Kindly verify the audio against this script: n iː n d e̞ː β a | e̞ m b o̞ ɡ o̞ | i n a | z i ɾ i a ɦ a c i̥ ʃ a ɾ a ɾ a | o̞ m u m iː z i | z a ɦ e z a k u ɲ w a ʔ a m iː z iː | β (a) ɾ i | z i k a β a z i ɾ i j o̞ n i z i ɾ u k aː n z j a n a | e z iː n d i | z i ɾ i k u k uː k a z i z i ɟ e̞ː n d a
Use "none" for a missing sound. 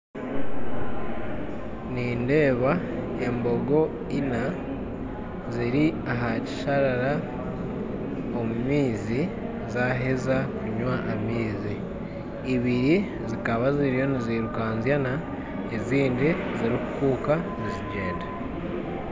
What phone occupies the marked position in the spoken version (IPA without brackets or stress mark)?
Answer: i